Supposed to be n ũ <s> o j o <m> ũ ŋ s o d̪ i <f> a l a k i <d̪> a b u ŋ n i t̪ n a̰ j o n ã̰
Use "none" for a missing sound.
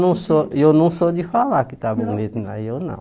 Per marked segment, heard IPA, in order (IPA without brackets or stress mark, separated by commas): s, n, f, t̪